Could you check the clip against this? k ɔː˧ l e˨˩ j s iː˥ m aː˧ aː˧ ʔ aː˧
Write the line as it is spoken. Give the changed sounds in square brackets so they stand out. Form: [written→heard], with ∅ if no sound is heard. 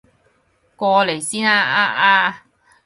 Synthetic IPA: k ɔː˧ l e˨˩ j s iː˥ [m→n] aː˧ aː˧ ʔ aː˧